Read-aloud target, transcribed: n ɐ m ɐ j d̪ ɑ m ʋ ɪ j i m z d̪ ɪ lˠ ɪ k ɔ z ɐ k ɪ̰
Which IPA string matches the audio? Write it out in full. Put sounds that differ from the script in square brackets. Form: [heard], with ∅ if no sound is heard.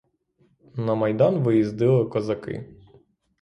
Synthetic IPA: n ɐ m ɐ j d̪ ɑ [n] ʋ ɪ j i [∅] z d̪ ɪ lˠ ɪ k ɔ z ɐ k ɪ̰